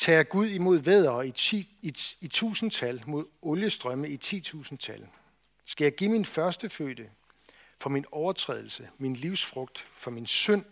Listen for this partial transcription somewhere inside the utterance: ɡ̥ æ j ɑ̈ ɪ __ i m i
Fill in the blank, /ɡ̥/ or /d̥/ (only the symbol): ɡ̥